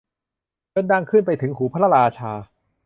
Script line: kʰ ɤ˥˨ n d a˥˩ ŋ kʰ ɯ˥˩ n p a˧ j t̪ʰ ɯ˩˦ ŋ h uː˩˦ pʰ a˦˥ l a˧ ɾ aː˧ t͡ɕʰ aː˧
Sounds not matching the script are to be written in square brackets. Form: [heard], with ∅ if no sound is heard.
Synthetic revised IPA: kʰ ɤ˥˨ n d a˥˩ ŋ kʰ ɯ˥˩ n p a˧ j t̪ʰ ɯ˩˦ ŋ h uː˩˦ pʰ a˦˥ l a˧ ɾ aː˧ t͡ɕʰ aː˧